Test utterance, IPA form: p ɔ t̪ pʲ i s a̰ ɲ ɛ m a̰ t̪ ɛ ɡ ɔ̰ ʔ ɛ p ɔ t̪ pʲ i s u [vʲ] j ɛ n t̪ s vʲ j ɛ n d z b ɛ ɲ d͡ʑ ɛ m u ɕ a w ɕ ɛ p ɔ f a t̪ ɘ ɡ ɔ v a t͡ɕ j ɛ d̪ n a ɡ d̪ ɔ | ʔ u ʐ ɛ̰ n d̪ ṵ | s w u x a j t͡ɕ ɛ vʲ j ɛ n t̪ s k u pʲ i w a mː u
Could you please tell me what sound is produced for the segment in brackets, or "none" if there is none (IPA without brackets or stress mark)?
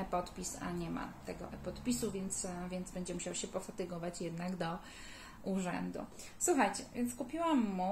vʲ